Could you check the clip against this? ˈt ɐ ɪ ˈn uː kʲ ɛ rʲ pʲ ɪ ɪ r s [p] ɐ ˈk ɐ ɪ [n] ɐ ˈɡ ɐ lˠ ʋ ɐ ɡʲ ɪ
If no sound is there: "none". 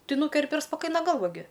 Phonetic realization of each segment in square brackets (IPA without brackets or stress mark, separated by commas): p, n